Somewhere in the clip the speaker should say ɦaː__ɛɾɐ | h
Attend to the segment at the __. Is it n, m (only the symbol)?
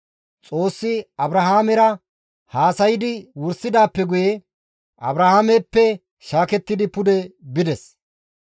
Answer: m